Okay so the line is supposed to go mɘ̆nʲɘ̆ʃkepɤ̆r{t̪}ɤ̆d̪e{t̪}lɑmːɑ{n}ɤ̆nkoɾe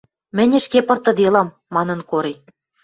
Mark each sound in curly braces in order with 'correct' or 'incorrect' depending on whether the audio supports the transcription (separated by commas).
correct, incorrect, correct